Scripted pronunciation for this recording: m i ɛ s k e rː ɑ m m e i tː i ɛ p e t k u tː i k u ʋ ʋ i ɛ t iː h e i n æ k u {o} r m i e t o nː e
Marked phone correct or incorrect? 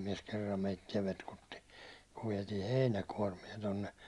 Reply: incorrect